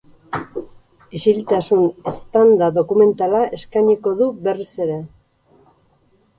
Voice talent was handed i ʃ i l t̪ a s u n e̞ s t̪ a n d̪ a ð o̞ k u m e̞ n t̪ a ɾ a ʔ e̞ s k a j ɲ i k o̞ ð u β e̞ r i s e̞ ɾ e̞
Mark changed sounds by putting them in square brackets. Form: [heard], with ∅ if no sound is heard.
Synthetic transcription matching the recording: i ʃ i l t̪ a s u n e̞ s t̪ a n d̪ a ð o̞ k u m e̞ n t̪ a [l] a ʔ e̞ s k a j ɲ i k o̞ ð u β e̞ r i s e̞ ɾ e̞